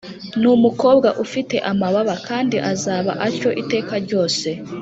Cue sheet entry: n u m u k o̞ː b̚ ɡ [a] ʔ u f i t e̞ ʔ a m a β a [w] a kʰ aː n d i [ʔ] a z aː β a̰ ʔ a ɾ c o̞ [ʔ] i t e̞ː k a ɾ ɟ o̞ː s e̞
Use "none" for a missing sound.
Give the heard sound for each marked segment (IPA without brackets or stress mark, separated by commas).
a, β, ʔ, ʔ